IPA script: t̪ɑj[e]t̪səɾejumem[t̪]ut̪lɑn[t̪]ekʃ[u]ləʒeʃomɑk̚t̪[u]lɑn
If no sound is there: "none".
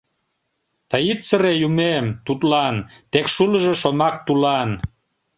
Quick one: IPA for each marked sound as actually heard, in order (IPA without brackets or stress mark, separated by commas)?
i, t̪, t̪, u, u